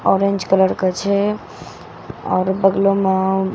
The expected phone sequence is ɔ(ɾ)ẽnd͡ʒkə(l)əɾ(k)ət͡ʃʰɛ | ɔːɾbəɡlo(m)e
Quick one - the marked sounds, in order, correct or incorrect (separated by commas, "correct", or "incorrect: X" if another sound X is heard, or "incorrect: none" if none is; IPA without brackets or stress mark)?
correct, correct, correct, correct